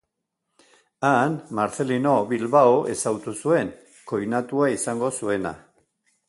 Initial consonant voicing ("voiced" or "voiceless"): voiced